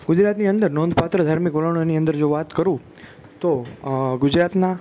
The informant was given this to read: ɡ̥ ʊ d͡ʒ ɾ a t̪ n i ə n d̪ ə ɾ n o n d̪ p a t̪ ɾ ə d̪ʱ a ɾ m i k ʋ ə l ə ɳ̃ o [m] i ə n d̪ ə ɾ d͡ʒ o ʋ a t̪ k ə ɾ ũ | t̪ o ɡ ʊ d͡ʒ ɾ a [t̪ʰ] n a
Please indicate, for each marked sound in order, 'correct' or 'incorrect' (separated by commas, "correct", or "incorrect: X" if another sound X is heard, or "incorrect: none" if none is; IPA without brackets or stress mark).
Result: incorrect: n, incorrect: t̪